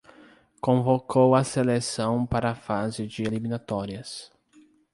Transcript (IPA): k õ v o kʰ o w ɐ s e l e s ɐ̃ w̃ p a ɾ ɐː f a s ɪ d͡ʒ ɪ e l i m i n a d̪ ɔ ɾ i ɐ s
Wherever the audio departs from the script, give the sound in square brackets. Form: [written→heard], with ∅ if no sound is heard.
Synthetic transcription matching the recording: k õ v o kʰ o w ɐ s e l e s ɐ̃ w̃ p a ɾ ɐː f a [s→z] ɪ d͡ʒ ɪ e l i m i n a [d̪→t̪] ɔ ɾ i ɐ s